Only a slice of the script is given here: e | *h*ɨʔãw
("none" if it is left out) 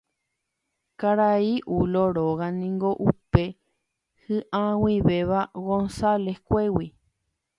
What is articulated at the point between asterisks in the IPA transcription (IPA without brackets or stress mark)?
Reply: h